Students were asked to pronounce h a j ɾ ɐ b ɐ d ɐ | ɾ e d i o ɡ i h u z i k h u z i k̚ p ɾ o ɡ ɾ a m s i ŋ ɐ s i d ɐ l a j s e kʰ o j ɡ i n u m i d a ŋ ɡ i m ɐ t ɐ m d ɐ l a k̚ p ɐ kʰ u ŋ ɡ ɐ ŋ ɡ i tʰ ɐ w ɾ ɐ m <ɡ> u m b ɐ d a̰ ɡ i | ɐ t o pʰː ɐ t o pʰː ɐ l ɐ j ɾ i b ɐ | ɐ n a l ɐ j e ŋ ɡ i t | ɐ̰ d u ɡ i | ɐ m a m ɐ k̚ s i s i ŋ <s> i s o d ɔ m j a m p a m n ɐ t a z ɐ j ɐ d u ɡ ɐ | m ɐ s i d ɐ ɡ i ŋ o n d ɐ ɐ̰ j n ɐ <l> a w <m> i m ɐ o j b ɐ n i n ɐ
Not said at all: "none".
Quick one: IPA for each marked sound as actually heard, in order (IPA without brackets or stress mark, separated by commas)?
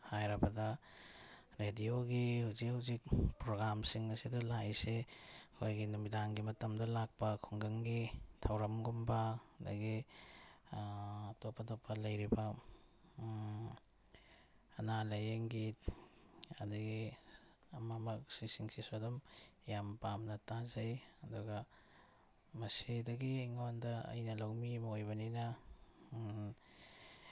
ɡ, s, l, m